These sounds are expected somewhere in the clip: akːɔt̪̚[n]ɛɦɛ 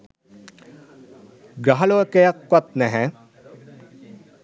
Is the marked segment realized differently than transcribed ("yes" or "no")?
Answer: no